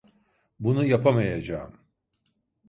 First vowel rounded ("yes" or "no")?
yes